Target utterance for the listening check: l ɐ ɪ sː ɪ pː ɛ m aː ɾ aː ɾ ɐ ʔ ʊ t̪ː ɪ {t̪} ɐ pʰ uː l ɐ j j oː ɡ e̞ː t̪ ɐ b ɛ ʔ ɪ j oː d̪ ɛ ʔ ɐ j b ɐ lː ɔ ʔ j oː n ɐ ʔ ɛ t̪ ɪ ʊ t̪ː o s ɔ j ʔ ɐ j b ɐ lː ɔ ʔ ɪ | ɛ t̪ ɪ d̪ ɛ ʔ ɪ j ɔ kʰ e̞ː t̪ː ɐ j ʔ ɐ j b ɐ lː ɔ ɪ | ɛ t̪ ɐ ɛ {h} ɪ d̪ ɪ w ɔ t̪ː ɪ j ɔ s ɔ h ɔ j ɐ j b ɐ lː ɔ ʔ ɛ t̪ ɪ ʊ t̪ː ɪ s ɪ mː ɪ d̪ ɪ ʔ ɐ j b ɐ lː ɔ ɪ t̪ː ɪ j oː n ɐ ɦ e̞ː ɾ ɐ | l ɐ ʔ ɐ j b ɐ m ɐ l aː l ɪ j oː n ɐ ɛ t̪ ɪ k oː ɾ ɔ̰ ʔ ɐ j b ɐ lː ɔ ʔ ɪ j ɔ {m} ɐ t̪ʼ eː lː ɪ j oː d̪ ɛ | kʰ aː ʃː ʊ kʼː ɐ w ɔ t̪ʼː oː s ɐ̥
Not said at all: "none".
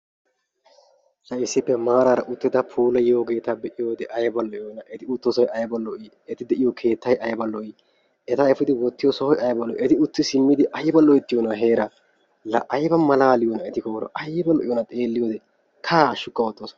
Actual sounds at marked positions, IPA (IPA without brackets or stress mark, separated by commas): d̪, f, n